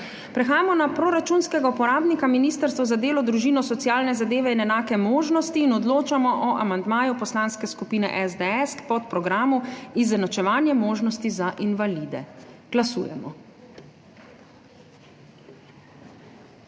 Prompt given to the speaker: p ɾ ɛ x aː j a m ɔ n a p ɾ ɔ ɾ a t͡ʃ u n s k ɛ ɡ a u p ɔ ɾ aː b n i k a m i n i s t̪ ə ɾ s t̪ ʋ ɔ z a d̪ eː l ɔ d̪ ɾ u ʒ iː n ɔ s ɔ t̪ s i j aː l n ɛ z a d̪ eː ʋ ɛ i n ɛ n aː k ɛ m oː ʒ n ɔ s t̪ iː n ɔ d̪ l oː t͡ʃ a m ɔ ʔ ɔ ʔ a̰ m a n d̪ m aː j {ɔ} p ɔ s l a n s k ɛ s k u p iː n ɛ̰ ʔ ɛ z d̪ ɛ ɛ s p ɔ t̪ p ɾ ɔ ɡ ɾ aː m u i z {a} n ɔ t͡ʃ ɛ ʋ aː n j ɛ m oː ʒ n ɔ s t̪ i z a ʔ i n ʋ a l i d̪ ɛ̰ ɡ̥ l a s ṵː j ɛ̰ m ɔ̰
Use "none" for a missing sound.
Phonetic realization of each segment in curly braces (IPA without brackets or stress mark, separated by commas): u, ɛ